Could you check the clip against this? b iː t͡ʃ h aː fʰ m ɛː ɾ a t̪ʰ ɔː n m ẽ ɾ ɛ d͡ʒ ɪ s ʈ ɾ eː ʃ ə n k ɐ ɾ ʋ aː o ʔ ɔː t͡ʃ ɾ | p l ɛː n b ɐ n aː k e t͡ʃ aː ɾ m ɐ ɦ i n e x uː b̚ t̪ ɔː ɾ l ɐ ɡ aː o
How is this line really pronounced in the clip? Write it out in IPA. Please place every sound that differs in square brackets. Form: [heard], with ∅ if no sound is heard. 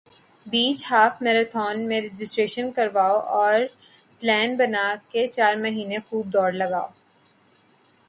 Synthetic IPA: b iː t͡ʃ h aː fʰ m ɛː ɾ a t̪ʰ ɔː n m ẽ ɾ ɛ d͡ʒ ɪ s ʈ ɾ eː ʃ ə n k ɐ ɾ ʋ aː o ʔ ɔː [∅] ɾ | p l ɛː n b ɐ n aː k e t͡ʃ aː ɾ m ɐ ɦ [iː] n e x uː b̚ [d̪] ɔː ɾ l ɐ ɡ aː o